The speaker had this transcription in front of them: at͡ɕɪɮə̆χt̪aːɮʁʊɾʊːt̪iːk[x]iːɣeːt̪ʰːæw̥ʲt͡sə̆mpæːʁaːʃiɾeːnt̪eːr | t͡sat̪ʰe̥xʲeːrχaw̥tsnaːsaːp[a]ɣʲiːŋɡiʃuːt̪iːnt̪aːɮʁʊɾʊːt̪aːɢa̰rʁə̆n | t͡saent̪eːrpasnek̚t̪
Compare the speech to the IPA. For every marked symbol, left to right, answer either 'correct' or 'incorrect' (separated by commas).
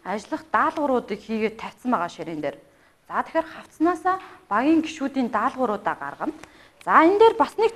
correct, correct